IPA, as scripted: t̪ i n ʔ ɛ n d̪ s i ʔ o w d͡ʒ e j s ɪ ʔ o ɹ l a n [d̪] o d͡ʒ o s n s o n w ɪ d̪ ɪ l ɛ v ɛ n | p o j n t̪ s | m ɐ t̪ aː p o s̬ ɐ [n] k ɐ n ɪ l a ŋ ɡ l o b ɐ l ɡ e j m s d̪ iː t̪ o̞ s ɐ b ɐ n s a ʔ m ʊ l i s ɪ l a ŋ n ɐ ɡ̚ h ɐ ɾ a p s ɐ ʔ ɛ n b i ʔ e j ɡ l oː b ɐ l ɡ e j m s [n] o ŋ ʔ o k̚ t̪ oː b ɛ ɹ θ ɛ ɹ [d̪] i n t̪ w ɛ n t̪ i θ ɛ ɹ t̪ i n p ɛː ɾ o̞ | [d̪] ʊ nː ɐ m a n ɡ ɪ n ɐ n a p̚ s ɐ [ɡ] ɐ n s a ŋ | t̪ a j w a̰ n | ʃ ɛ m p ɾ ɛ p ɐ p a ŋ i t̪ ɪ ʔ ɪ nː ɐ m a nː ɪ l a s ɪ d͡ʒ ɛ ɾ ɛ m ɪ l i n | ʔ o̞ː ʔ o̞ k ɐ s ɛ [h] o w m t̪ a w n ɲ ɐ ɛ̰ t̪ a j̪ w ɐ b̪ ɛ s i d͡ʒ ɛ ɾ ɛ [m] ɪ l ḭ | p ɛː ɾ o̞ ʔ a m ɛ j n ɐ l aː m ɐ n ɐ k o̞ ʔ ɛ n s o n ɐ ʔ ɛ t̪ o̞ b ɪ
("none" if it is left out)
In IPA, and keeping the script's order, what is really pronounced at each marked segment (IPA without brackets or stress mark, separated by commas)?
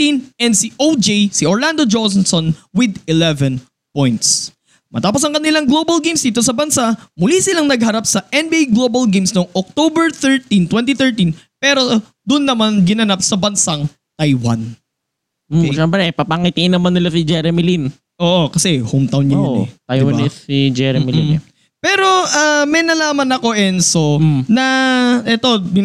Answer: d̪, ŋ, n, t̪, d̪, b, h, m